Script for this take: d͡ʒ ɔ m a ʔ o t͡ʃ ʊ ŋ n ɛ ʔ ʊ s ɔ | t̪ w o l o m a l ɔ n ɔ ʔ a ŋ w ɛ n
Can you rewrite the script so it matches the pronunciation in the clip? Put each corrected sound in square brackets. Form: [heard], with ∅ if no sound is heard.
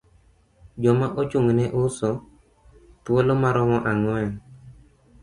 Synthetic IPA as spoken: d͡ʒ ɔ m a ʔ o t͡ʃ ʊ ŋ n ɛ ʔ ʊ s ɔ | t̪ w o l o m a [ɾ] ɔ [m] ɔ ʔ a ŋ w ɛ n